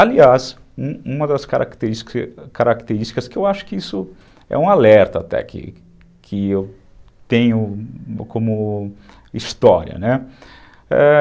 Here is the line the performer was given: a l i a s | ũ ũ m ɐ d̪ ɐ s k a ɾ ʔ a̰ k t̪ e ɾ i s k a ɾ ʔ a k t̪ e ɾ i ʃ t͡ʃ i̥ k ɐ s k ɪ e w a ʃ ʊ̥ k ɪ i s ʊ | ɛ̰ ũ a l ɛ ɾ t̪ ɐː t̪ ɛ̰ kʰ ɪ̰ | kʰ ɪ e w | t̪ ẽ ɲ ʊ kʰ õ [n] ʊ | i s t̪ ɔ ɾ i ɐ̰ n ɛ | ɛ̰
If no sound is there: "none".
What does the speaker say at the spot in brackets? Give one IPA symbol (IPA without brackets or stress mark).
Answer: m